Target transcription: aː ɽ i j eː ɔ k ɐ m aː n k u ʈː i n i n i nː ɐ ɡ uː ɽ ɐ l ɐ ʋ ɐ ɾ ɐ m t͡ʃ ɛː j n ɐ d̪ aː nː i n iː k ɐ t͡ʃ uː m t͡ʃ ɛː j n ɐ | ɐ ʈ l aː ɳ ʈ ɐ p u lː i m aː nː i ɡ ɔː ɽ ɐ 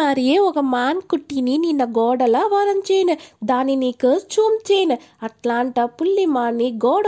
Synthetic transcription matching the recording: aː ɾ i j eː ɔ k ɐ m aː n k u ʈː i n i n i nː ɐ ɡ ɔː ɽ ɐ l ɐ ʋ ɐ ɾ ɐ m t͡ʃ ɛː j n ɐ d̪ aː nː i n iː k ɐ t͡ʃ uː m t͡ʃ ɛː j n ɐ | ɐ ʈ l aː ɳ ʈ ɐ p u lː i m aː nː i ɡ ɔː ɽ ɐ